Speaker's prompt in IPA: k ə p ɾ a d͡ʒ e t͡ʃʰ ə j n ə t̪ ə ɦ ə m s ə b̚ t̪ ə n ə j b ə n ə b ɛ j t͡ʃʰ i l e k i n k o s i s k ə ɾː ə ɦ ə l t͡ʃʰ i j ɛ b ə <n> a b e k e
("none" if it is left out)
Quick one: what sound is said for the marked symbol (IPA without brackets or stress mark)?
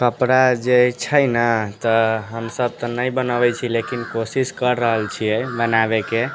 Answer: n